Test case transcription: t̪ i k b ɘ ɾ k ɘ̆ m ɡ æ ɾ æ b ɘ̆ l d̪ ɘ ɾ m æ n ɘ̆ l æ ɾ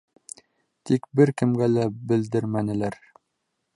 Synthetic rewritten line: t̪ i k b ɘ ɾ k ɘ̆ m ɡ æ l æ b ɘ̆ l d̪ ɘ ɾ m æ n ɘ̆ l æ ɾ

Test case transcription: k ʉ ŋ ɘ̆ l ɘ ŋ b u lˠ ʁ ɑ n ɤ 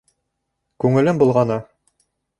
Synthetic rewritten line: k ʉ ŋ ɘ̆ l ɘ m b u lˠ ʁ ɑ n ɤ

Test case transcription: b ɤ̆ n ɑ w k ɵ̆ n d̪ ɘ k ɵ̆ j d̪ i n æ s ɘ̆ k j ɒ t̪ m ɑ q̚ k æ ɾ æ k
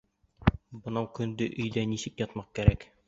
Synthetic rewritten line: b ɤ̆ n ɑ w k ɵ̆ n d̪ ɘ ʔ ɵ̆ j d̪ æ n i s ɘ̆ k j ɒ t̪ m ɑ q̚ k æ ɾ æ k

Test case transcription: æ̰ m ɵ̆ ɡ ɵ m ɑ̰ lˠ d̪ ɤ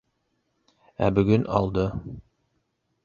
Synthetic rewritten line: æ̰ b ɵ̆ ɡ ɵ n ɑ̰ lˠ d̪ ɤ

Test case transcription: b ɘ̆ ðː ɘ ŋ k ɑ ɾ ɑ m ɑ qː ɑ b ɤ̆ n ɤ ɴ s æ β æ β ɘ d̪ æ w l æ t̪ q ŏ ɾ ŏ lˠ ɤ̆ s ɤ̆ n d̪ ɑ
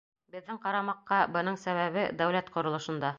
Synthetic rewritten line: b ɘ̆ ðː ɘ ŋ q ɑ ɾ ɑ m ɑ qː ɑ b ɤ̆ n ɤ ɴ s æ β æ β ɘ d̪ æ w l æ t̪ q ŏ ɾ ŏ lˠ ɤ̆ ʃ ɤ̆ n d̪ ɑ

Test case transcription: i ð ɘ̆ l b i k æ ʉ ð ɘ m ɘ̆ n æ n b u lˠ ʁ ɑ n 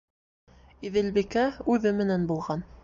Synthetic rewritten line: i ð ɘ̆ l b i k æ ʉ ð ɘ m ɘ̆ n æ n b u lˠ ʁ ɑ n

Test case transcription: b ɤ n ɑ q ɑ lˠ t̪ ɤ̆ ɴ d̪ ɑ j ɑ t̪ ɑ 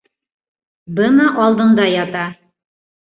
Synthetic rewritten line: b ɤ n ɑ ʔ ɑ lˠ d̪ ɤ̆ ɴ d̪ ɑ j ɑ t̪ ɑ

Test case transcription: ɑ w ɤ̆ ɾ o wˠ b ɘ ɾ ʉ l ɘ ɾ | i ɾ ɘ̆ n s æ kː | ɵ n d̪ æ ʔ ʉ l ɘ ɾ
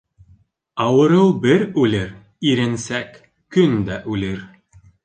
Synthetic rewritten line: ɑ w ɤ̆ ɾ ɤ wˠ b ɘ ɾ ʉ l ɘ ɾ | i ɾ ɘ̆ n s æ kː | ɵ n d̪ æ ʔ ʉ l ɘ ɾ

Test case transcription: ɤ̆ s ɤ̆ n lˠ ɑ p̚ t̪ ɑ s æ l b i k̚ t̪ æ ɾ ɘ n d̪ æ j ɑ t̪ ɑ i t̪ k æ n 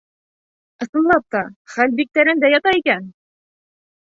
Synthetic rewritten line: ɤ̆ s ɤ̆ n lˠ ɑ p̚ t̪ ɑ χ æ l b i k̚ t̪ æ ɾ ɘ n d̪ æ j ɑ t̪ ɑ i k æ n

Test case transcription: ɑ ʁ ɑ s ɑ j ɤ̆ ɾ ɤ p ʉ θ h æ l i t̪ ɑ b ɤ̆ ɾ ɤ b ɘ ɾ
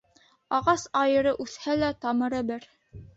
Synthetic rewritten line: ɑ ʁ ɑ s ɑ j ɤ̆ ɾ ɤ ʔ ʉ θ h æ l æ t̪ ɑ m ɤ̆ ɾ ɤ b ɘ ɾ

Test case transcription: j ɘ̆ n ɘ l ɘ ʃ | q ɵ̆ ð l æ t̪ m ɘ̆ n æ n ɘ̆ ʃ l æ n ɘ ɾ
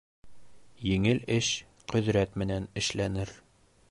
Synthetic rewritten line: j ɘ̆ ŋ ɘ l ɘ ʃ | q ɵ̆ ð ɾ æ t̪ m ɘ̆ n æ n ɘ̆ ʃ l æ n ɘ ɾ

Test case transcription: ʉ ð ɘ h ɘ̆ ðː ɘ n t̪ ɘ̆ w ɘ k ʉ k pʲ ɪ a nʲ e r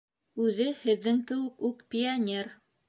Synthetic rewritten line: ʉ ð ɘ h ɘ̆ ðː ɘ ŋ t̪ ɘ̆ w ɘ k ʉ k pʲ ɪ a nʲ e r

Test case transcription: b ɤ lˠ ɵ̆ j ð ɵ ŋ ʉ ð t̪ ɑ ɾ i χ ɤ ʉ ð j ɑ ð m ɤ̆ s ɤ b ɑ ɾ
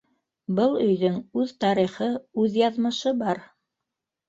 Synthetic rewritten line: b ɤ lˠ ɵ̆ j ð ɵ ŋ ʉ ð t̪ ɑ ɾ i χ ɤ ʉ ð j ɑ ð m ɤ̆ ʃ ɤ b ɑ ɾ

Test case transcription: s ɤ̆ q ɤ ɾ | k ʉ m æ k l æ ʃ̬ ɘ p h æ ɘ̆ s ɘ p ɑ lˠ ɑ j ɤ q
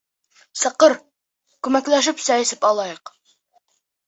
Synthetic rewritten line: s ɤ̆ q ɤ ɾ | k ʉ m æ k l æ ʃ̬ ɘ p s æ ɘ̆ s ɘ p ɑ lˠ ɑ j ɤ q

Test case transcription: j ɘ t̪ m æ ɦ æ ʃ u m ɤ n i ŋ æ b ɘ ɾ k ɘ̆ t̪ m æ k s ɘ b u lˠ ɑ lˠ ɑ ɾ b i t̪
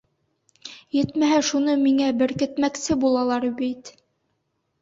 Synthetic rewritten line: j ɘ t̪ m æ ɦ æ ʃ u n ɤ m i ŋ æ b ɘ ɾ k ɘ̆ t̪ m æ k s ɘ b u lˠ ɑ lˠ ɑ ɾ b i t̪

